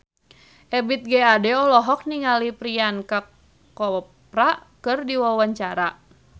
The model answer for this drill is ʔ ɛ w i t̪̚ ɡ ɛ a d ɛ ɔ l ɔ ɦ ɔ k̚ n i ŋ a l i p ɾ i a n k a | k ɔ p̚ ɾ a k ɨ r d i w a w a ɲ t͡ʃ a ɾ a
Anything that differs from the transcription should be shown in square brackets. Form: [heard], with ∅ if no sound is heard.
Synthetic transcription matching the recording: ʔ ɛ [b] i t̪̚ ɡ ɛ a d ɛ ɔ l ɔ ɦ ɔ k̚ n i ŋ a l i p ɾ i a n k a | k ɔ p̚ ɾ a k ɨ r d i w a w a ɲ t͡ʃ a ɾ a